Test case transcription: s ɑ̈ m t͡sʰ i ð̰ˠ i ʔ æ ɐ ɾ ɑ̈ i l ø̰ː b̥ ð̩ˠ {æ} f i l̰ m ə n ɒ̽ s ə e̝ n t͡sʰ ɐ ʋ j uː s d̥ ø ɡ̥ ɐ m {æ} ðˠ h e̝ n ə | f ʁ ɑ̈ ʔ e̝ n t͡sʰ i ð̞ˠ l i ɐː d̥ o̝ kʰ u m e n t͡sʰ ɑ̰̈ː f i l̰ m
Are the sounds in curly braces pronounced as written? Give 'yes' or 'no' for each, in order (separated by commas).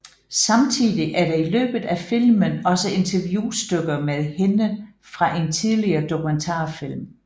yes, no